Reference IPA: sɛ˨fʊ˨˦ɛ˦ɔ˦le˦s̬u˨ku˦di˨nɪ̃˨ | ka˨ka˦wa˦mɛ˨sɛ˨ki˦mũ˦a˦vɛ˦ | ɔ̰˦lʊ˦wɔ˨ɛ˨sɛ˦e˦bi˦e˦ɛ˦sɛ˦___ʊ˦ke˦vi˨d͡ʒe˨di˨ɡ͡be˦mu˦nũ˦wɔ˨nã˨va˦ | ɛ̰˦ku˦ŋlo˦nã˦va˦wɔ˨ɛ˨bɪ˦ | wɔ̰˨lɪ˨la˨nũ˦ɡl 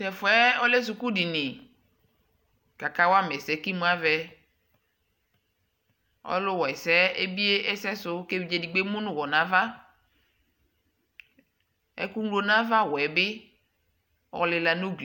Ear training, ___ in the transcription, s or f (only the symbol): s